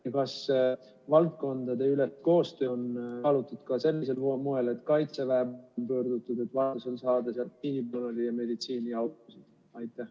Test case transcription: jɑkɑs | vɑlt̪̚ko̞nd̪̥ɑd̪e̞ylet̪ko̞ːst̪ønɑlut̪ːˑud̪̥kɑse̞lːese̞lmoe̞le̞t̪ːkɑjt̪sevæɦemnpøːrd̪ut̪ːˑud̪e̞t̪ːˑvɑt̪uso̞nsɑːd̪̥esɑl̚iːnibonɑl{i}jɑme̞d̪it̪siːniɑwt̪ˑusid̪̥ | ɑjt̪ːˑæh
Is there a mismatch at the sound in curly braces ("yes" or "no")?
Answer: no